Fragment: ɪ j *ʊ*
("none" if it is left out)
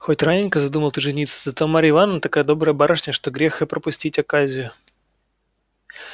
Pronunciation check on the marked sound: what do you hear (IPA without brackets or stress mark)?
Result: ʊ